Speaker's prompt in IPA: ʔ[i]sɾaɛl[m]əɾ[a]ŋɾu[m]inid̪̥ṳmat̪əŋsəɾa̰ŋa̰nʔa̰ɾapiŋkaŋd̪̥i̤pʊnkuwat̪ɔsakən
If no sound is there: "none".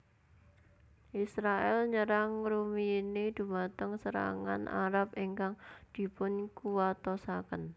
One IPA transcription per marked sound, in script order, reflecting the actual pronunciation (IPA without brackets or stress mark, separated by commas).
i, ɲ, a, m